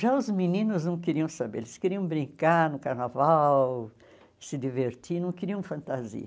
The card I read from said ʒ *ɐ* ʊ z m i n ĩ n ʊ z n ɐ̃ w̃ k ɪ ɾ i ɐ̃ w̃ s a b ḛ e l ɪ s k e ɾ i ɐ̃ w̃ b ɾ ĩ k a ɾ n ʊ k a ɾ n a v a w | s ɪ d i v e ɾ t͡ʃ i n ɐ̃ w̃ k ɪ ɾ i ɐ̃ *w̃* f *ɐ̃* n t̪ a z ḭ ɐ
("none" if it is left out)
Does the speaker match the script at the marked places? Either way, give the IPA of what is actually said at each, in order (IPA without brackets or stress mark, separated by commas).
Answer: a, w̃, ɐ̃